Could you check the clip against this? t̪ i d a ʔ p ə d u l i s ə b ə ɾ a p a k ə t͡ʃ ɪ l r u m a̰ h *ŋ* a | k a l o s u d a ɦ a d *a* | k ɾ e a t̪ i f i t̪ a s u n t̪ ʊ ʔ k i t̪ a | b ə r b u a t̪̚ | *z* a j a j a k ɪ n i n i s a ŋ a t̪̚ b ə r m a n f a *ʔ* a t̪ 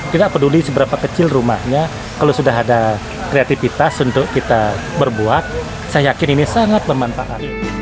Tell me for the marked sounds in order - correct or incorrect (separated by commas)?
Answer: incorrect, correct, incorrect, correct